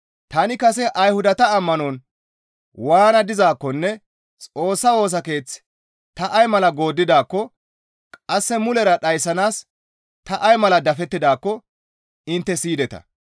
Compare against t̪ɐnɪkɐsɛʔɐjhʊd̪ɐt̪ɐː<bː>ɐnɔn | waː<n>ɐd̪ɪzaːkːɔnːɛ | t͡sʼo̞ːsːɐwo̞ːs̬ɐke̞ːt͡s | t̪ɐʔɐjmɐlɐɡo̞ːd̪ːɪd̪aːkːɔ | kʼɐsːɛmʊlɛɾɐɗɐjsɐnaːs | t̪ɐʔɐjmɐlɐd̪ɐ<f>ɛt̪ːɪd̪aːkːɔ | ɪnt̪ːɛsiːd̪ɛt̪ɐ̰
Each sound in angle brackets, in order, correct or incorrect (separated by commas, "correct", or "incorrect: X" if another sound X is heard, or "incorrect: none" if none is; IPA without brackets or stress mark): incorrect: mː, correct, correct